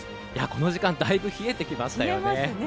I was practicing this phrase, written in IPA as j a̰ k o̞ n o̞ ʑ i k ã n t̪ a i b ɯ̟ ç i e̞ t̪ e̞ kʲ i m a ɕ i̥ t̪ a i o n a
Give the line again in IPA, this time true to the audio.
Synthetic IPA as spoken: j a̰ k o̞ n o̞ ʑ i k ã n d̪ a i b ɯ̟ ç i e̞ t̪ e̞ kʲ i m a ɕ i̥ t̪ a j o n e